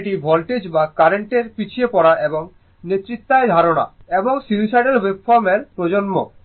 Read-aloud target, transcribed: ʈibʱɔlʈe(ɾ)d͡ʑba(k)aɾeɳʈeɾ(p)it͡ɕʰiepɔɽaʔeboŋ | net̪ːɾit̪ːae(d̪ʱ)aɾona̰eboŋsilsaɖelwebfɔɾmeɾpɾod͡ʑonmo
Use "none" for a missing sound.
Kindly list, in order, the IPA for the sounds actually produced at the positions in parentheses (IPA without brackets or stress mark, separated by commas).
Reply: none, k, p, d̪ʱ